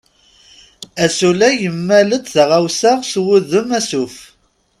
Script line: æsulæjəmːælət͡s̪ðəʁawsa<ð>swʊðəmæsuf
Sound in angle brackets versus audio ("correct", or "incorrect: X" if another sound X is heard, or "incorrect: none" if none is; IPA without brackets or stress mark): incorrect: ʁ